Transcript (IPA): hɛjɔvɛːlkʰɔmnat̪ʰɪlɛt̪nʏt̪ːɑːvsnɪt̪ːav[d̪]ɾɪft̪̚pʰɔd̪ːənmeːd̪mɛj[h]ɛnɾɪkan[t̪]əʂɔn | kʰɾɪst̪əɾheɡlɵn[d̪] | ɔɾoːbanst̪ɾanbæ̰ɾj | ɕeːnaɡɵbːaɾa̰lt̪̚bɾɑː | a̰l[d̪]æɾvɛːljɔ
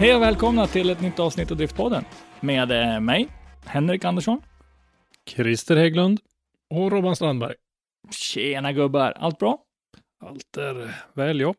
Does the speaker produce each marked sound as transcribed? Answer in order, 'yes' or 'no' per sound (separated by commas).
yes, yes, no, yes, no